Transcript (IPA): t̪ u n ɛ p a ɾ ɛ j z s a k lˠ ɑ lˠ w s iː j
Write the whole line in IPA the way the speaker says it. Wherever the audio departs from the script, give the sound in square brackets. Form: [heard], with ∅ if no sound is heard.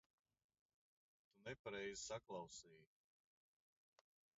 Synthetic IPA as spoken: t̪ u n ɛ p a ɾ ɛ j z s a k lˠ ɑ [∅] w s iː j

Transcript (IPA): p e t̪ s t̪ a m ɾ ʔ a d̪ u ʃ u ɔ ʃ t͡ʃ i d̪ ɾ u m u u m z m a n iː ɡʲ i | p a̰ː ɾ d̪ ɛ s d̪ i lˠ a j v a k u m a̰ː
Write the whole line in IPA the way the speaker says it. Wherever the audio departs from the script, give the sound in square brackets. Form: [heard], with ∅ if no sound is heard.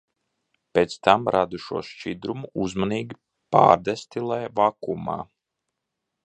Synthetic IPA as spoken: p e t̪ s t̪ a m ɾ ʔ a d̪ u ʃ u ɔ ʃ t͡ʃ i d̪ ɾ u m u u [∅] z m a n iː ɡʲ i | p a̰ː ɾ d̪ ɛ s [t̪] i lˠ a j v a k u m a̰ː

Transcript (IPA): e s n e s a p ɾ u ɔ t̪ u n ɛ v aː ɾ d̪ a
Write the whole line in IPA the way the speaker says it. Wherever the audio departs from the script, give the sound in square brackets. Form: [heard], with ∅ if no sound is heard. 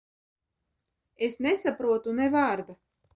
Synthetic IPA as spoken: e s n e s a p ɾ u ɔ t̪ u n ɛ v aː ɾ d̪ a

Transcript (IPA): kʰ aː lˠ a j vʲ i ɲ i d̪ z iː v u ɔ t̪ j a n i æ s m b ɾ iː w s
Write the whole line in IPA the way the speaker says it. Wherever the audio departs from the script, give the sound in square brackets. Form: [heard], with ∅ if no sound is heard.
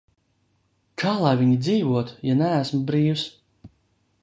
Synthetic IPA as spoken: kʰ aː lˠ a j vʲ i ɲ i d̪ z iː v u ɔ t̪ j a n [æ] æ s m b ɾ iː w s

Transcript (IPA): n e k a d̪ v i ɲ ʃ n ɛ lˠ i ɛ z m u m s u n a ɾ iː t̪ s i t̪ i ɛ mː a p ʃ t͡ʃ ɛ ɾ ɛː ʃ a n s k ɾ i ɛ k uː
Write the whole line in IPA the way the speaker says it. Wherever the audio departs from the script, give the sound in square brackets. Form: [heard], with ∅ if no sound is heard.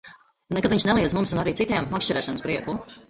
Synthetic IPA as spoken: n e k a d̪ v i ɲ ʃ n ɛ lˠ i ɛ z m u m s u n a ɾ iː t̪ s i t̪ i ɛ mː a [k] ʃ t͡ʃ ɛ ɾ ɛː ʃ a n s [p] ɾ i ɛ k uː

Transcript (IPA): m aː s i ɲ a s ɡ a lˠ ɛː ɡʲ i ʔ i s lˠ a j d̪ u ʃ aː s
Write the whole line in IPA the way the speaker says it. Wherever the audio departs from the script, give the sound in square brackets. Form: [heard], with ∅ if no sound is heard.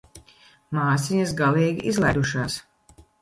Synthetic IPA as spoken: m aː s i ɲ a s ɡ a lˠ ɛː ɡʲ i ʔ i [z] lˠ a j d̪ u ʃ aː s

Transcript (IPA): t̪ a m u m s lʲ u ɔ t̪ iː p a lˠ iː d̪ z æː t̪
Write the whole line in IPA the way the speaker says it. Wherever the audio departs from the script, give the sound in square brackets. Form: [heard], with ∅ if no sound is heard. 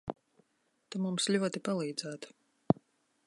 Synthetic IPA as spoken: t̪ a m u m s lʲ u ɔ t̪ [i] p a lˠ iː d̪ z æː t̪

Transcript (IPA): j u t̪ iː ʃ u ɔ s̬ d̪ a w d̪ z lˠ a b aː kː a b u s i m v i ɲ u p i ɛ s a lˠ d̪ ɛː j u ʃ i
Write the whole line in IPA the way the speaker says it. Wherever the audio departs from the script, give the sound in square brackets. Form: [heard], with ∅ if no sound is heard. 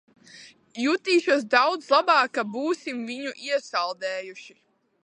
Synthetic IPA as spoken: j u t̪ iː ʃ u ɔ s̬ d̪ a w d̪ z lˠ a b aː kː a b [uː] s i m v i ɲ u [ʔ] i ɛ s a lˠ d̪ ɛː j u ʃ i

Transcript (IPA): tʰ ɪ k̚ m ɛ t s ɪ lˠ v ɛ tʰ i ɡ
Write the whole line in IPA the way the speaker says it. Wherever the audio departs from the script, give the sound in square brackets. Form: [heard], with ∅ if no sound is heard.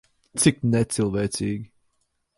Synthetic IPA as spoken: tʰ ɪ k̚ [n] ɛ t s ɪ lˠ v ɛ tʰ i ɡ

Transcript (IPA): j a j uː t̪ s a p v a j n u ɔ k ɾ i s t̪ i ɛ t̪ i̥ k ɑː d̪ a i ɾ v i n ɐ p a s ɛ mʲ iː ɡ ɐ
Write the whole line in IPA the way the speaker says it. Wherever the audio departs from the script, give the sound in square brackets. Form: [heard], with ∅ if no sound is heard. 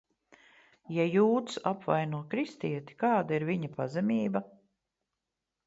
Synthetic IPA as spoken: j a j uː t̪ s a p v a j n u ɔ k ɾ i s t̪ i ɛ t̪ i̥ k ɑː d̪ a i ɾ v i [ɲ] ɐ p a [z] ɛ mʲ iː [b] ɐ

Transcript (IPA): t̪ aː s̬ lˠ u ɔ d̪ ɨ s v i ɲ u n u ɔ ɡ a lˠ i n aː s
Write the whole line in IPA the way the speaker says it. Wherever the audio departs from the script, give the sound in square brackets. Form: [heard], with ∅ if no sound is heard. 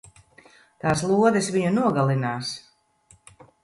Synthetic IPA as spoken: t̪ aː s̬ lˠ u ɔ d̪ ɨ s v i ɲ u n u ɔ ɡ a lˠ i n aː s

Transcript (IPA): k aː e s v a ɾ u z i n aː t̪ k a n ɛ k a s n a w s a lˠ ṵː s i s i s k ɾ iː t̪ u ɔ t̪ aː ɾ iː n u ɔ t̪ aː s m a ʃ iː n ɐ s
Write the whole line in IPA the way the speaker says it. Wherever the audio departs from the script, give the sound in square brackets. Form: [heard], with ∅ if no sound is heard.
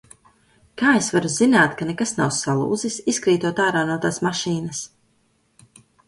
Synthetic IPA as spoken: k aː e s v a ɾ u z i n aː t̪ k a n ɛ k a s n a w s a lˠ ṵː [z] i s i s k ɾ iː t̪ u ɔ t̪ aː ɾ [aː] n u ɔ t̪ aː s m a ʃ iː n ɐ s

